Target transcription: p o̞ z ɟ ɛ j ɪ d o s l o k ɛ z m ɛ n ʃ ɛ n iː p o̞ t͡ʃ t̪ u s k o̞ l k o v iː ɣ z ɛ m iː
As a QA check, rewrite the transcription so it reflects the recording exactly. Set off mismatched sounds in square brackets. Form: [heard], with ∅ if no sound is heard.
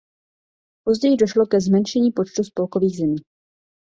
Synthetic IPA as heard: p o̞ z ɟ ɛ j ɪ d o [ʃ] l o k ɛ z m ɛ n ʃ ɛ [ɲ] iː p o̞ t͡ʃ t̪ u s [p] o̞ l k o v iː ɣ z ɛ m iː